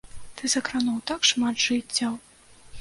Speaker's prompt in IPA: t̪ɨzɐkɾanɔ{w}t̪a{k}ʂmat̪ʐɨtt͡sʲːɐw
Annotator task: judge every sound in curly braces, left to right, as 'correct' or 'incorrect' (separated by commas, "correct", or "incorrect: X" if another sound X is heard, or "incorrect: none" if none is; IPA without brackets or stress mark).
correct, correct